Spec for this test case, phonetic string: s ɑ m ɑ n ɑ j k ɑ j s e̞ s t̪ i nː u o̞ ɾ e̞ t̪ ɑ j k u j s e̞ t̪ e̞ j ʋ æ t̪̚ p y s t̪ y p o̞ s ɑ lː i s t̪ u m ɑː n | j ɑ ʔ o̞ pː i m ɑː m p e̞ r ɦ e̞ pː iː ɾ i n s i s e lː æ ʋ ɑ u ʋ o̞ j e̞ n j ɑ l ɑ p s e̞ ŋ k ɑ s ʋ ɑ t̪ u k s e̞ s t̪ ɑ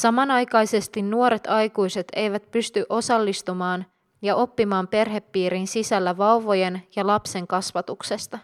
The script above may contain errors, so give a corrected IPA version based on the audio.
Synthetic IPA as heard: s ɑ m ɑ n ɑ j k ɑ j s e̞ s t̪ i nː u o̞ ɾ e̞ t̪ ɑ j k u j s e̞ t̪ e̞ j ʋ æ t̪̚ p y s t̪ y ʔ o̞ s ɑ lː i s t̪ u m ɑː n | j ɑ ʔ o̞ pː i m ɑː m p e̞ r ɦ e̞ pː iː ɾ i n s i s æ lː æ ʋ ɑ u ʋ o̞ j e̞ n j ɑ l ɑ p s e̞ ŋ k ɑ s ʋ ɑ t̪ u k s e̞ s t̪ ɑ